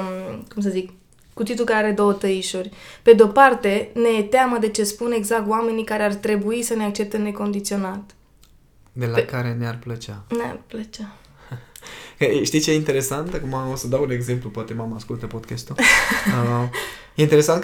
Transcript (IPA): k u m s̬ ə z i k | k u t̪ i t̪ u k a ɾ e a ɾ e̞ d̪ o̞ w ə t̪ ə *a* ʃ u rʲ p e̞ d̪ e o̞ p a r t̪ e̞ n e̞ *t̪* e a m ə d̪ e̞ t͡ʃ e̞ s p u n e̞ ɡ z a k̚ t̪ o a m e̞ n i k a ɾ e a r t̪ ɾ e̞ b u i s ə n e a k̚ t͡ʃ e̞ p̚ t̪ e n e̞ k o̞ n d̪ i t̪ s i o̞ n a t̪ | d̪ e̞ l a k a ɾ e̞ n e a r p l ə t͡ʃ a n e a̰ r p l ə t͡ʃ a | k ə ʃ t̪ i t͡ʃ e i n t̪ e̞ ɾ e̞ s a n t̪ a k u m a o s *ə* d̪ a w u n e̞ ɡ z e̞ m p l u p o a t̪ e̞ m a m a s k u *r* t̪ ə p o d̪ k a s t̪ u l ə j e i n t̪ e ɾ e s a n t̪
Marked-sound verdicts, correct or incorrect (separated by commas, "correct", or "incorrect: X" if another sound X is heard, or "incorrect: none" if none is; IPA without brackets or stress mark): incorrect: i, correct, correct, incorrect: l